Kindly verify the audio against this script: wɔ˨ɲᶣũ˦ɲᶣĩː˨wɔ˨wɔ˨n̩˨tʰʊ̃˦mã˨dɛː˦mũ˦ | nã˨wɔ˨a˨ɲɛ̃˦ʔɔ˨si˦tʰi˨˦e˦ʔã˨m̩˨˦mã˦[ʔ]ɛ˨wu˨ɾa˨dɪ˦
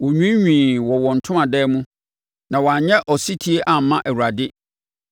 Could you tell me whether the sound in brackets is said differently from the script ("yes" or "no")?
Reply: no